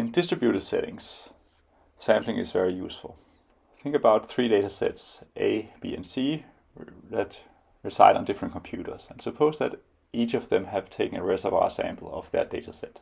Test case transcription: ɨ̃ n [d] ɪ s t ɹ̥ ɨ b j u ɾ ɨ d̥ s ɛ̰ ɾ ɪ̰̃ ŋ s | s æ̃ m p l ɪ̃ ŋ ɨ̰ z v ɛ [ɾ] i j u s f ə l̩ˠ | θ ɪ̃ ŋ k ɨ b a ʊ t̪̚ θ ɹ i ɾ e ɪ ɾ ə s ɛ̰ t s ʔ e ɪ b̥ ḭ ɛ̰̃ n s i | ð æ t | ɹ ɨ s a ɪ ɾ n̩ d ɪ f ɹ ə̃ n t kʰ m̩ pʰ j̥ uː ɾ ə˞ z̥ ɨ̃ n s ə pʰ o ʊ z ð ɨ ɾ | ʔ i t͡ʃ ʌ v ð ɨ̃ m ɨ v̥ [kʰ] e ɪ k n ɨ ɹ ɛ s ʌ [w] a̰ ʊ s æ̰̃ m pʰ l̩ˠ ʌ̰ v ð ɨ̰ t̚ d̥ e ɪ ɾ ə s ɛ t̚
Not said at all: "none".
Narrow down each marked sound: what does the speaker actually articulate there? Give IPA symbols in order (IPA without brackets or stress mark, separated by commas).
d, ɹ, tʰ, v